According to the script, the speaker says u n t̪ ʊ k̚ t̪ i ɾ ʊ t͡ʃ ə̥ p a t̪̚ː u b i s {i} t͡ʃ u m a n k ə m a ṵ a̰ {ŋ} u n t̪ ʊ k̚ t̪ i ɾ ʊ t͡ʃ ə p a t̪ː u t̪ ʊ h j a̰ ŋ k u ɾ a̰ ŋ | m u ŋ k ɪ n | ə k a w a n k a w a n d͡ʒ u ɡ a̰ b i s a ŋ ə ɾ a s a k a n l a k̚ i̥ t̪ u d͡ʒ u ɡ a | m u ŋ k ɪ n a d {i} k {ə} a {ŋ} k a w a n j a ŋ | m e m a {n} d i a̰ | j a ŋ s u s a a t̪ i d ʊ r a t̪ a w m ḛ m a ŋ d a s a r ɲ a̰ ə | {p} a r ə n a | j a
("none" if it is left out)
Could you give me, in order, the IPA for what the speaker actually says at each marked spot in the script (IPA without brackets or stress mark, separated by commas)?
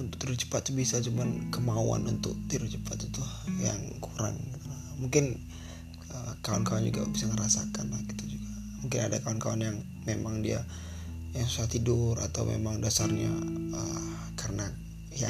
a, n, a, a, n, ŋ, k